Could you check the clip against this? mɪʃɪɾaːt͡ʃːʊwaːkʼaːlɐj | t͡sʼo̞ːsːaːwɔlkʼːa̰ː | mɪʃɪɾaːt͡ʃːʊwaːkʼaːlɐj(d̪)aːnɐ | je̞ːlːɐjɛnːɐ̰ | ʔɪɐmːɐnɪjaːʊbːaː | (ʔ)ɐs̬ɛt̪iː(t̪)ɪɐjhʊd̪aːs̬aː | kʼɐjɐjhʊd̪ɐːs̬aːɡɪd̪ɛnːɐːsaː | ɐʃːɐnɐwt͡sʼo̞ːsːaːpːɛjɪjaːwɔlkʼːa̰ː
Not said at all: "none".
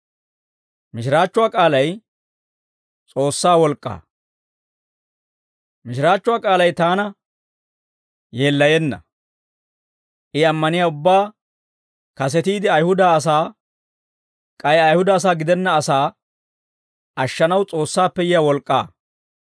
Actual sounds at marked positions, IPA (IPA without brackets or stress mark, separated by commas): t̪, k, d̪